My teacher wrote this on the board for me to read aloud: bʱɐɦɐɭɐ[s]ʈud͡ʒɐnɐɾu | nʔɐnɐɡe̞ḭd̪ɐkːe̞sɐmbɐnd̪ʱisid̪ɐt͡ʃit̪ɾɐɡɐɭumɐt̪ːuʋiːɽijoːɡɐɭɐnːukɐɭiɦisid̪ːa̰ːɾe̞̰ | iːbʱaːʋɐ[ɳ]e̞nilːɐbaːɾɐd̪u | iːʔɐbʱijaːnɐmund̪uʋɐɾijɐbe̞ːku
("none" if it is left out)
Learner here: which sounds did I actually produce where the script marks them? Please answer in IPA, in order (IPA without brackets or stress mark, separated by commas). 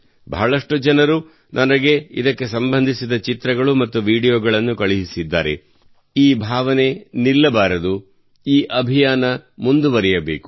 ʂ, n